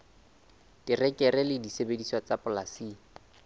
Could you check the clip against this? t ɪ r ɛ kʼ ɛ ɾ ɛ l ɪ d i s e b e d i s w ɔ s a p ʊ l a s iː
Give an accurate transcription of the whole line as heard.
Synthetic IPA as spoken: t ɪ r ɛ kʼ ɛ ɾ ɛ l ɪ d i s e b e d i s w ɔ t͡s a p ʊ l a s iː